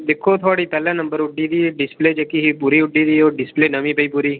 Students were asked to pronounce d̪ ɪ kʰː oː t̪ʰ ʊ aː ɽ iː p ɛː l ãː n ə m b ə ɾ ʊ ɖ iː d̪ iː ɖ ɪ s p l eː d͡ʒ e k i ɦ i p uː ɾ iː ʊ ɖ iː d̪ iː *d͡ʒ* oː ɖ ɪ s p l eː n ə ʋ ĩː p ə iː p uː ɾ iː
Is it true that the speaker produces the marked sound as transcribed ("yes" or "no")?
no